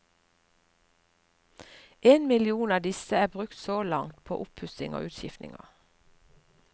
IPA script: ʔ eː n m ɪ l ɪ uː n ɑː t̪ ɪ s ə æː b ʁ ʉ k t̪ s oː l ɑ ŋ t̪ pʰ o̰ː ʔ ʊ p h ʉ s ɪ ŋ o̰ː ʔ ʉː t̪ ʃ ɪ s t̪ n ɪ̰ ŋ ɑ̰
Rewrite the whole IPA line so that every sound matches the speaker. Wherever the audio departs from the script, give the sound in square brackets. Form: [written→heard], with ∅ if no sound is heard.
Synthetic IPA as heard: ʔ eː n m ɪ l ɪ uː n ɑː [t̪→d̪] ɪ s ə æː b ʁ ʉ k t̪ s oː l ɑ ŋ t̪ pʰ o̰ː ʔ ʊ p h ʉ s ɪ ŋ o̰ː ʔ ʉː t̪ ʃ ɪ [s→f] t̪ n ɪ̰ ŋ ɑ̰

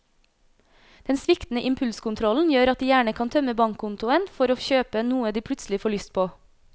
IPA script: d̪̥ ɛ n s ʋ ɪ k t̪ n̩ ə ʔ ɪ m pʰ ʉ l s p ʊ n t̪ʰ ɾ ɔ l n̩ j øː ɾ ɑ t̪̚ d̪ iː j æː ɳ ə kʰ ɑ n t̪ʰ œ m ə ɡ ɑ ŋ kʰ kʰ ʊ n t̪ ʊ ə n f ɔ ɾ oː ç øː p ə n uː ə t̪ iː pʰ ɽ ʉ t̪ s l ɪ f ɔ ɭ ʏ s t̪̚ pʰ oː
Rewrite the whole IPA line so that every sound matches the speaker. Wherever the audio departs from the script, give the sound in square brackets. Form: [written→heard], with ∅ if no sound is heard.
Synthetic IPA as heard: d̪̥ ɛ n s ʋ ɪ k t̪ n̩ ə ʔ ɪ m pʰ ʉ l s [p→k] ʊ n t̪ʰ ɾ ɔ l n̩ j øː ɾ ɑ t̪̚ d̪ iː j æː ɳ ə kʰ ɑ n t̪ʰ œ m ə [ɡ→b] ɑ ŋ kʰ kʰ ʊ n t̪ ʊ ə n f ɔ ɾ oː ç øː p ə n uː ə [t̪→d̪] iː pʰ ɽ ʉ t̪ s l ɪ f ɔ ɭ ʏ s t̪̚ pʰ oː

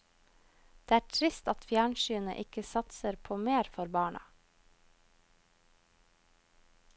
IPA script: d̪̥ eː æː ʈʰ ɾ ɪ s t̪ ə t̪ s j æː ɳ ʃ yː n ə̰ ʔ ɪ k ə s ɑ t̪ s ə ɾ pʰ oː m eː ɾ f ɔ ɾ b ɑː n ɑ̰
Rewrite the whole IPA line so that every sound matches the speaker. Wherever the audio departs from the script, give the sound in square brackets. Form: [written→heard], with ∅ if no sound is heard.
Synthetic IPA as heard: d̪̥ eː æː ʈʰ ɾ ɪ s t̪ [ə→ɑ] t̪ [s→f] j æː ɳ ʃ yː n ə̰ ʔ ɪ k ə s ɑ t̪ s ə ɾ pʰ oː m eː ɾ f ɔ ɾ b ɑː [n→ɳ] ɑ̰

